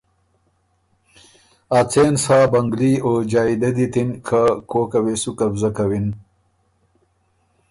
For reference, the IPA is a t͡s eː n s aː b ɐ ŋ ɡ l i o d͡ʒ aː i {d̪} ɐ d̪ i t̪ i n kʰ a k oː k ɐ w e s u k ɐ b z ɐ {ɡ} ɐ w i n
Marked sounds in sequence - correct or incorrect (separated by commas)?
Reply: correct, incorrect